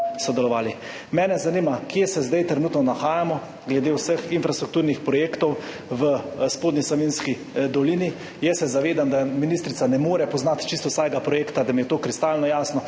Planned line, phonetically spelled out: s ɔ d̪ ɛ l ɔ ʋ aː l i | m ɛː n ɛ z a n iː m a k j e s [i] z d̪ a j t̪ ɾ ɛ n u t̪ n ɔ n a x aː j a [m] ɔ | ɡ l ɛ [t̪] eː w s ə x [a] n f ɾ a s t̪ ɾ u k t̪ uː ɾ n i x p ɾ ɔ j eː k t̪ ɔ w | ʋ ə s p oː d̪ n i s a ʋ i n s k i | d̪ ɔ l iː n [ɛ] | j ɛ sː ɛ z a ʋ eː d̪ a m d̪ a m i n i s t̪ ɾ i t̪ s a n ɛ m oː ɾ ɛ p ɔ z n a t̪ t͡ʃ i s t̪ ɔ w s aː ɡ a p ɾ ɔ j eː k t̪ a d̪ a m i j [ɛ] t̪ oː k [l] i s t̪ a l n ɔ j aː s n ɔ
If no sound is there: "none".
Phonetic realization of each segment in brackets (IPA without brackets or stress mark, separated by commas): ɛ, m, d̪, i, i, ɛ, ɾ